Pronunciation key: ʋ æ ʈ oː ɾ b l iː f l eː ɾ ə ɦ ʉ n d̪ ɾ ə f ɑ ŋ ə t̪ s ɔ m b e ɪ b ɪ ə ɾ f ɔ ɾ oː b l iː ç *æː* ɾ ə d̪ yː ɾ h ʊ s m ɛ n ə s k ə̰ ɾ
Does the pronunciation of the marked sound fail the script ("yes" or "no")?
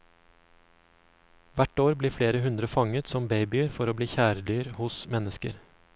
no